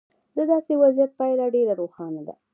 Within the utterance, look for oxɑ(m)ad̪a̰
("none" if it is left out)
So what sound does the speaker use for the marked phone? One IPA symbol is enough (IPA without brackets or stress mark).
n